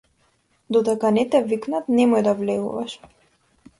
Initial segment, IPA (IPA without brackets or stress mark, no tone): d̪